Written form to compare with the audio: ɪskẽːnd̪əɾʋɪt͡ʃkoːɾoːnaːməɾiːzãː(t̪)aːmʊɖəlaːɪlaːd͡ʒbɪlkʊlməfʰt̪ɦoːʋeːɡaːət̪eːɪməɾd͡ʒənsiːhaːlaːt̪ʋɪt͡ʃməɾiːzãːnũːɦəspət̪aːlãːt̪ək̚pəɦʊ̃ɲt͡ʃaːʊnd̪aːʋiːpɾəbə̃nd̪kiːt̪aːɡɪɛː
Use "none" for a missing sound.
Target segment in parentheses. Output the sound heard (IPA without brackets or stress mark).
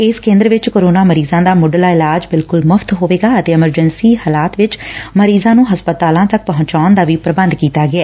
d̪